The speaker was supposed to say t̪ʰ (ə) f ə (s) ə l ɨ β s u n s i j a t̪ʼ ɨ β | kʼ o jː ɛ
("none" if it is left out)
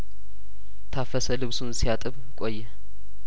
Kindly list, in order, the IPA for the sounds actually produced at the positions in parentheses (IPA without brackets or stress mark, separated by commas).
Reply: a, s